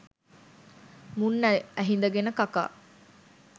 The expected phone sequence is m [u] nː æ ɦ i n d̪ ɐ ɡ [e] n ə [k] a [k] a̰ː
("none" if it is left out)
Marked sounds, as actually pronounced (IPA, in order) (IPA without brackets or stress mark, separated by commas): u, e, k, k